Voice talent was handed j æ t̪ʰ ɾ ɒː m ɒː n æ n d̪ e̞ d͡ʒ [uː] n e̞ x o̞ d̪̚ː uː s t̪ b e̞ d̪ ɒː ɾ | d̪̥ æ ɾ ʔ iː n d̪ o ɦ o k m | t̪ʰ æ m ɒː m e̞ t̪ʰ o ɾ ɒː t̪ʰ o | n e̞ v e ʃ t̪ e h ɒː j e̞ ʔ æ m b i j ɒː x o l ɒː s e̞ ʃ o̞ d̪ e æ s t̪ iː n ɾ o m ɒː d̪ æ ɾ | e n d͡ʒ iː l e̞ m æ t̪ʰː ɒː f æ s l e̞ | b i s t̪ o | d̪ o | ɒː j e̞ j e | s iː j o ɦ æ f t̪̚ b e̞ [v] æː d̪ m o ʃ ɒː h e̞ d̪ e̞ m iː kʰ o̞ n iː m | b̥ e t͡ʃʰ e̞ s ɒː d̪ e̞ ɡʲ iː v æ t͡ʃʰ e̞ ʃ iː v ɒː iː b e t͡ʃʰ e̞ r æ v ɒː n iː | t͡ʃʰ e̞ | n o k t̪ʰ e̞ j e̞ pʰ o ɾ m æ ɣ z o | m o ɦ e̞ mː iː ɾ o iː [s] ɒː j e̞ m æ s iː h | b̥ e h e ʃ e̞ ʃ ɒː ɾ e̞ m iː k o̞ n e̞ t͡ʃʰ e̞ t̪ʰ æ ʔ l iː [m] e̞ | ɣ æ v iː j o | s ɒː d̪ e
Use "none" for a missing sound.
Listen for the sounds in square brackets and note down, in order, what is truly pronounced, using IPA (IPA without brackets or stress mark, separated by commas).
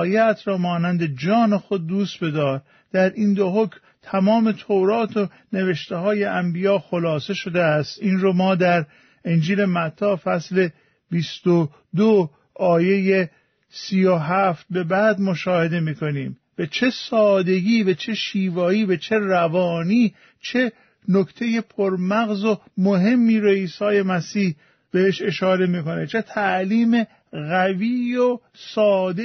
ɒː, b, s, m